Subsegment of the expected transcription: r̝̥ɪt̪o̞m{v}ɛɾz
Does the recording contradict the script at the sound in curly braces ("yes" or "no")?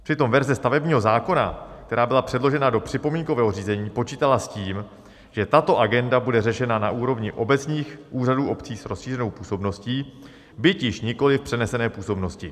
no